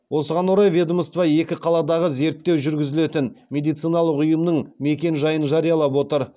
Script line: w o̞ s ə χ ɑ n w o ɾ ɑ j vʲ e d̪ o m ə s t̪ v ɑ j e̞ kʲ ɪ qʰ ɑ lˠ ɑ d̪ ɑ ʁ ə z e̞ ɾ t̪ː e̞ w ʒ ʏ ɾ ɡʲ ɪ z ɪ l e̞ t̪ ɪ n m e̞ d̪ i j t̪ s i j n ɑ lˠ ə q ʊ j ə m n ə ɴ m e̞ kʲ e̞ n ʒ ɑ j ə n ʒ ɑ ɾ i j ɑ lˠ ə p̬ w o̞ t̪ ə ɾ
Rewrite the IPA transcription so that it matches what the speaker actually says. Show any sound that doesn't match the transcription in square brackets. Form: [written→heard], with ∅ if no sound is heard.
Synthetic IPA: w o̞ s ə [χ→ʁ] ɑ n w o ɾ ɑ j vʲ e d̪ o m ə s t̪ v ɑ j e̞ kʲ ɪ qʰ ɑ lˠ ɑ d̪ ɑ ʁ ə z e̞ ɾ t̪ː e̞ w ʒ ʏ ɾ ɡʲ ɪ z ɪ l e̞ t̪ ɪ n m e̞ d̪ i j t̪ s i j n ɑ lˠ ə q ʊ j ə m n ə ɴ m e̞ kʲ e̞ n ʒ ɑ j ə n ʒ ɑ ɾ i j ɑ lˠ [ə→ɑ] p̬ w o̞ t̪ ə ɾ